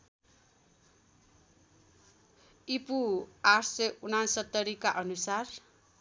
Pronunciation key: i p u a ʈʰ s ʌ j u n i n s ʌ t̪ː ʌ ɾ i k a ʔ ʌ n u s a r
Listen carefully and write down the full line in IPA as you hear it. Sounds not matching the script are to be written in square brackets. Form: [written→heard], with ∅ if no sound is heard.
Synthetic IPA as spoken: i p u a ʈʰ s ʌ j u n [i→a] n s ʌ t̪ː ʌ ɾ i k a ʔ ʌ n u s a r